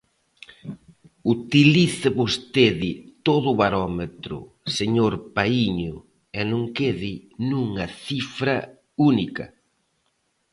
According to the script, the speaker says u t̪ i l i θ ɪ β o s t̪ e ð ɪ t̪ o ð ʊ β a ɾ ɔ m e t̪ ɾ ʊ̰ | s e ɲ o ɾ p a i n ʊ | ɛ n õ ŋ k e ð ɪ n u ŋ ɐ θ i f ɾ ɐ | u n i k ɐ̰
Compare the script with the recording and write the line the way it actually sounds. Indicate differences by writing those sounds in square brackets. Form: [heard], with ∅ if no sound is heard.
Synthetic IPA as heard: u t̪ i l i θ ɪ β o s t̪ e ð ɪ t̪ o ð ʊ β a ɾ ɔ m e t̪ ɾ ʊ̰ | s e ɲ o ɾ p a i [ɲ] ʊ | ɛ n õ ŋ k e ð ɪ n u ŋ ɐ θ i f ɾ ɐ | u n i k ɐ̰